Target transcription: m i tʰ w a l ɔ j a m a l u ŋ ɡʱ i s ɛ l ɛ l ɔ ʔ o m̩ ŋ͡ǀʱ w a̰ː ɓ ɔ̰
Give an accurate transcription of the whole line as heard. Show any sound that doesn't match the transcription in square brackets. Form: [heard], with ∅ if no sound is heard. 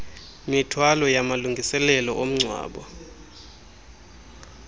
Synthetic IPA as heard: m i tʰ w a l ɔ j a m a l u ŋ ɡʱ i s ɛ l ɛ l ɔ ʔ o m̩ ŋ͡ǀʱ w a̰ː ɓ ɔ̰